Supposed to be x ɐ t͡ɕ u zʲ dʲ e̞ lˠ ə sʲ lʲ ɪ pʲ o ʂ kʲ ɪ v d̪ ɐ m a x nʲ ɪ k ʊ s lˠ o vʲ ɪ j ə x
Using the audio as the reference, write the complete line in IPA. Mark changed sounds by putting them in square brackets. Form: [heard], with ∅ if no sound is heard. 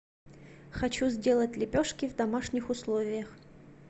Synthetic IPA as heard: x ɐ t͡ɕ u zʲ dʲ e̞ lˠ ə [tʲ] lʲ ɪ pʲ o ʂ kʲ ɪ v d̪ ɐ m a [ʂ] nʲ ɪ [x] ʊ s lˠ o vʲ ɪ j ə x

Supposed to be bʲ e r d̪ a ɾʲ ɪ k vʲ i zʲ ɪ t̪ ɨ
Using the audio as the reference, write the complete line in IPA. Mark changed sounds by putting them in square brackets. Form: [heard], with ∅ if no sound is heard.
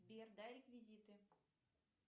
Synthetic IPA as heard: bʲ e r d̪ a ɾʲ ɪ k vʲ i zʲ [i] t̪ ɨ

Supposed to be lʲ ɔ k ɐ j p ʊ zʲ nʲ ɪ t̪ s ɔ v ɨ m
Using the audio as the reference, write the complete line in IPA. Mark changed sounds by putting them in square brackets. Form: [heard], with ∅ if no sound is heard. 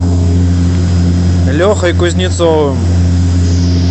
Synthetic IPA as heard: lʲ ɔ [x] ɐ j [k] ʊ zʲ nʲ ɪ t̪ s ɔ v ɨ m

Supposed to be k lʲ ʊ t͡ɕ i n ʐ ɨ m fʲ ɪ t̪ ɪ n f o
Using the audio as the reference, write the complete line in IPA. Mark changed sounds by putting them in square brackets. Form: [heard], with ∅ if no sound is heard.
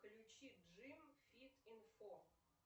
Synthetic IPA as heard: k lʲ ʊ t͡ɕ i [∅] ʐ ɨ m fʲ [i] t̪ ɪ n f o

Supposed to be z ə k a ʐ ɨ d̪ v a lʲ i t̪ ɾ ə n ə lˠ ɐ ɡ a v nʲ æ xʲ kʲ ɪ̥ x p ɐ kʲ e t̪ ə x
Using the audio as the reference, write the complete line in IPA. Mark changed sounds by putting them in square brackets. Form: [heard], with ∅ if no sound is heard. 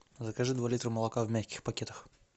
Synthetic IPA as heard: z ə k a ʐ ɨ d̪ v a lʲ i t̪ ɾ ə [m] ə lˠ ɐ [k] a v [mʲ] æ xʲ kʲ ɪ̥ x p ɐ kʲ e t̪ ə x

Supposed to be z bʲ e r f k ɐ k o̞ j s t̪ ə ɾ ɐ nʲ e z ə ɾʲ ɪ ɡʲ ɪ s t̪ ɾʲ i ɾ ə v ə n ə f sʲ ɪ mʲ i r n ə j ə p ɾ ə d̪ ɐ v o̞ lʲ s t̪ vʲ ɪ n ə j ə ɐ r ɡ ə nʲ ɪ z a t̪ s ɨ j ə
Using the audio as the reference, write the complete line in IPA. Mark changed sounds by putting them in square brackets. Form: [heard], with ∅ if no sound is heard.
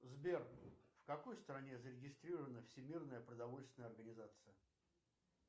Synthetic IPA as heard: z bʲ e r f k ɐ k o̞ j s t̪ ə ɾ ɐ nʲ e z ə ɾʲ ɪ ɡʲ ɪ s t̪ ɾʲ i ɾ ə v ə n ə f sʲ ɪ mʲ i r n ə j ə p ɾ ə d̪ ɐ v o̞ lʲ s t̪ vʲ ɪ n ə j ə ɐ r ɡ ə nʲ ɪ z a t̪ s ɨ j ə

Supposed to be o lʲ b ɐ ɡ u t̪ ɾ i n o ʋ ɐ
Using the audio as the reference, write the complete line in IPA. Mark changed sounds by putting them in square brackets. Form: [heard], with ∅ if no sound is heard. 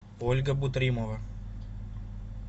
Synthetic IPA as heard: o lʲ [ɡ] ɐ [b] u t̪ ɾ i [m] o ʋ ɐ

